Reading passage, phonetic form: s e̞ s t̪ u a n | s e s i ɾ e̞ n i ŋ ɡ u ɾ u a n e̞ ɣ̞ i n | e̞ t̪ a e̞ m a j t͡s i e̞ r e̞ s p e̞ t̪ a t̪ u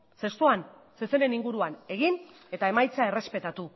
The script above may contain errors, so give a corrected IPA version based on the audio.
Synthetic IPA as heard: s e̞ s t̪ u a n | s e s e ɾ e̞ n i ŋ ɡ u ɾ u a n e̞ ɣ̞ i n | e̞ t̪ a e̞ m a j t͡s a e̞ r e̞ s p e̞ t̪ a t̪ u